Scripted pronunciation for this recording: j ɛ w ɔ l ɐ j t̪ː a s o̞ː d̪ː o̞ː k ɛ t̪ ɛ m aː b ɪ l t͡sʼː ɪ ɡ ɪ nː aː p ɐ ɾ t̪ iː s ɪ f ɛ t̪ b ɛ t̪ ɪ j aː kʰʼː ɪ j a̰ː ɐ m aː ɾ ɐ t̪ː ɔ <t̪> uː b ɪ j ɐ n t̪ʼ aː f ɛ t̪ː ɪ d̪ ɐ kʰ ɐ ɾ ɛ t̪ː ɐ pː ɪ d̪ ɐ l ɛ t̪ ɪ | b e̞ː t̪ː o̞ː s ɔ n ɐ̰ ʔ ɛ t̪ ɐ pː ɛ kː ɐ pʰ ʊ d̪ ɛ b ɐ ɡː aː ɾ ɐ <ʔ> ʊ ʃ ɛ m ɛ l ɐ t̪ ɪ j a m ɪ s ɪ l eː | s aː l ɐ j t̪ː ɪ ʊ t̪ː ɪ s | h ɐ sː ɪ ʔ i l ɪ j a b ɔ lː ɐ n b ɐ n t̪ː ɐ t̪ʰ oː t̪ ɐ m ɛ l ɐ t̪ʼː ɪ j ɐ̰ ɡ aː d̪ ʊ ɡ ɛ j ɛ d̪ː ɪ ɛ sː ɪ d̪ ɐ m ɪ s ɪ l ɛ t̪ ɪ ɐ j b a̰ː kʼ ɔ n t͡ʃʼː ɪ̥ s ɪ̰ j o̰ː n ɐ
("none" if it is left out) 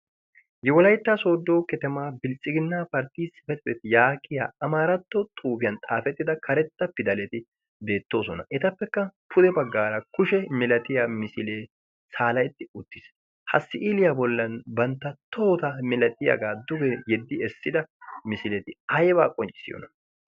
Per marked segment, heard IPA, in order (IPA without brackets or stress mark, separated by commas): t̪ʼ, k